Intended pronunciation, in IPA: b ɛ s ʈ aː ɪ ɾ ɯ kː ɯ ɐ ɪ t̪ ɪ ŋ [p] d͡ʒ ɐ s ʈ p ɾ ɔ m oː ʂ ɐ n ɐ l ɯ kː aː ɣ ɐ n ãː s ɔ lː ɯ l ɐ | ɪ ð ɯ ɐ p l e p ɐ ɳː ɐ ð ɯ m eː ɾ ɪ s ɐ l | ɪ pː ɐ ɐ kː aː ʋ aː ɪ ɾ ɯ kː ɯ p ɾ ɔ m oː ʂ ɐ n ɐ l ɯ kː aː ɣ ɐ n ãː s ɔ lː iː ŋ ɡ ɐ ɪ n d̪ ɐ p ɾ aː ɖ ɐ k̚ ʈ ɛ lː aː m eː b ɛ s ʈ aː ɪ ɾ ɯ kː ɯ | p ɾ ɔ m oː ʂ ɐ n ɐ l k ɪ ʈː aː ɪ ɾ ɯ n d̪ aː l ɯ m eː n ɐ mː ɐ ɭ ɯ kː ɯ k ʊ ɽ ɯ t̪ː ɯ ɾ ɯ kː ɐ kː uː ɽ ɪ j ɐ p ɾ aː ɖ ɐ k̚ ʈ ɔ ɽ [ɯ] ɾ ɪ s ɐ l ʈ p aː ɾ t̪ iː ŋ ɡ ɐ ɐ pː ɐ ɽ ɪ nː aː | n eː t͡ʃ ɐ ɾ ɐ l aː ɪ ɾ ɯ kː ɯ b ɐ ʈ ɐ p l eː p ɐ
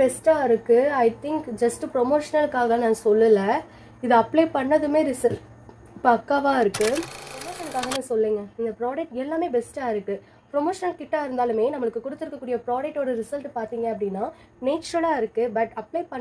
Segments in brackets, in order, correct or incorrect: incorrect: k, correct

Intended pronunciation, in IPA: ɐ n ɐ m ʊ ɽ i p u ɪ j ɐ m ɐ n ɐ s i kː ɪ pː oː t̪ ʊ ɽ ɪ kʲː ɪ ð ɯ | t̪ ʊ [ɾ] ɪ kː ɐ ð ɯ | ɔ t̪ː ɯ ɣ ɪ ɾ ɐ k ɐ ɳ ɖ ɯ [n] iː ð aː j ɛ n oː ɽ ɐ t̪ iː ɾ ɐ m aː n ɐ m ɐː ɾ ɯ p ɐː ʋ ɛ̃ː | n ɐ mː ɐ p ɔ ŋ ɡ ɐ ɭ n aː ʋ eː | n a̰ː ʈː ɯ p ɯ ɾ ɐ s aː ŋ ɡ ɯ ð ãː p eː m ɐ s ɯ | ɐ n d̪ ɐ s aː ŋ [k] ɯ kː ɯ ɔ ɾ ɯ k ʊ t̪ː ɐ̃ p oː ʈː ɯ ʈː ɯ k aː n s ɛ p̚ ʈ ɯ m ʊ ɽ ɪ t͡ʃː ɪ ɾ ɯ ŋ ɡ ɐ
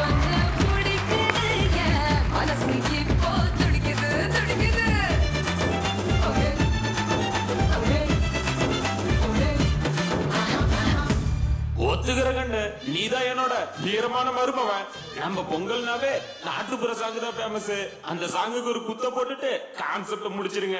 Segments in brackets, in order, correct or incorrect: incorrect: ɽ, correct, incorrect: ɡ

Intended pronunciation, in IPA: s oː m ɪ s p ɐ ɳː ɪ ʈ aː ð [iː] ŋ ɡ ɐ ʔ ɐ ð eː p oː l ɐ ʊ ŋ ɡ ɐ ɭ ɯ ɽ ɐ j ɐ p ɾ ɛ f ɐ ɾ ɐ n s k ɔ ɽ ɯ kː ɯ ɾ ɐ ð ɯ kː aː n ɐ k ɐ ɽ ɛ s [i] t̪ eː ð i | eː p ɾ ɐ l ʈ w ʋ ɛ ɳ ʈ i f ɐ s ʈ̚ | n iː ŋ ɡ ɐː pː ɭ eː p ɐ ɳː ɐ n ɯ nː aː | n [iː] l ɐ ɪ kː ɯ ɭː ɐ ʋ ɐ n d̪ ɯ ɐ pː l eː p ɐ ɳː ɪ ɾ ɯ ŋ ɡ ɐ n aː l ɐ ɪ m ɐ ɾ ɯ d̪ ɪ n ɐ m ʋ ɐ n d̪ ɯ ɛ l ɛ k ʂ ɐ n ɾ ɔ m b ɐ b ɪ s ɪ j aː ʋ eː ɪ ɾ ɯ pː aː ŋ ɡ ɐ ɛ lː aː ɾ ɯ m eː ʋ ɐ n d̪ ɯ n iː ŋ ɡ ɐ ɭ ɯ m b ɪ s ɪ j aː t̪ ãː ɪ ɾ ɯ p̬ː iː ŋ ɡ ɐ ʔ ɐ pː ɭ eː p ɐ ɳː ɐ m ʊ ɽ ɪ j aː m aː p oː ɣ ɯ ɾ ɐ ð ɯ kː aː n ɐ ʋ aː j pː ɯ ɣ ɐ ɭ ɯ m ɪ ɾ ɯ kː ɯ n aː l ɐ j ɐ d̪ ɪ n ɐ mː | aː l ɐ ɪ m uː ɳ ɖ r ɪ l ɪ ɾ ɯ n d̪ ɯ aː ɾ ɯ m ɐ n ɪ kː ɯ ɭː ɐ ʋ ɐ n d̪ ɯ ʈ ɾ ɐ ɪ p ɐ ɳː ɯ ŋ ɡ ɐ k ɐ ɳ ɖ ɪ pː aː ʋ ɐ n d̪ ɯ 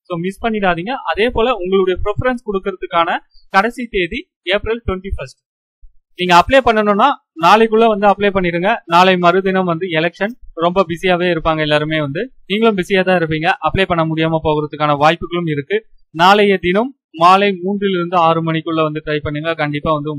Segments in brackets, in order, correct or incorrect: correct, correct, incorrect: aː

